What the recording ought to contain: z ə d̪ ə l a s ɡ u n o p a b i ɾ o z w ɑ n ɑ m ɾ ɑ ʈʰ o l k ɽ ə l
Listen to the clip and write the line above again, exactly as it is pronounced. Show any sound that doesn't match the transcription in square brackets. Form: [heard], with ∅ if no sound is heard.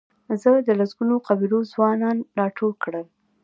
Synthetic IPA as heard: z ə d̪ ə l a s ɡ u n o [q] a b i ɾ o z w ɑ n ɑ [n] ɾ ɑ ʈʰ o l k ɽ ə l